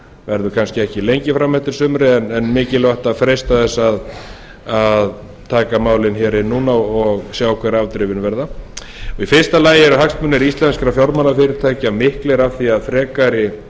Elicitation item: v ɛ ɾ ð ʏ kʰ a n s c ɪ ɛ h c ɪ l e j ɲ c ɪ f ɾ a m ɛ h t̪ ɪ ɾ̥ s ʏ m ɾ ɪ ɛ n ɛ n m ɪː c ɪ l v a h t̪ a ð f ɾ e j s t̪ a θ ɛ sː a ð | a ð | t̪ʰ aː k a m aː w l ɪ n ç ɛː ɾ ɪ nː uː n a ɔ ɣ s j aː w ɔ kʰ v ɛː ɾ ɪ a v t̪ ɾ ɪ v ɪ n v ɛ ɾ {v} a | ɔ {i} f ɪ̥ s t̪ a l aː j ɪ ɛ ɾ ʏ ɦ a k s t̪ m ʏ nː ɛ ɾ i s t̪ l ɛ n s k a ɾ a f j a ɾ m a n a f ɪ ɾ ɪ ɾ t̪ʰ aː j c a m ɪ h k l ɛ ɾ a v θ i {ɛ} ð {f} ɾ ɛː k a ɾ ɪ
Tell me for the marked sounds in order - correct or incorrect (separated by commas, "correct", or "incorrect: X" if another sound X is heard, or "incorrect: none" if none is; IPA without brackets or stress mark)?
incorrect: ð, correct, incorrect: a, correct